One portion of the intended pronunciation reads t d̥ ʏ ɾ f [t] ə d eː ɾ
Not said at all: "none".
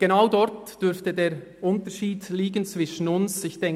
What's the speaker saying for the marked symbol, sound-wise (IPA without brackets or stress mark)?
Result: t